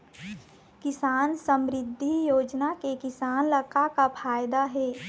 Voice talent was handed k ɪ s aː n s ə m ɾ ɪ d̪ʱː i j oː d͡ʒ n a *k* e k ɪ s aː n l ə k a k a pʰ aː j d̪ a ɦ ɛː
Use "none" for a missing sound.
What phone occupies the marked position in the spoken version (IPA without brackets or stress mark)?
k